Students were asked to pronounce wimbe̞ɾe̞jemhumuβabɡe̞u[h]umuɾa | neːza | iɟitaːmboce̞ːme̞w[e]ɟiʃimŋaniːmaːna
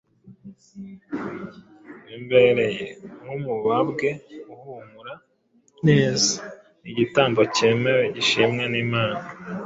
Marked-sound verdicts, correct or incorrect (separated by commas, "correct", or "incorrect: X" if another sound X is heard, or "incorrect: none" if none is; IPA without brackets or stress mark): correct, correct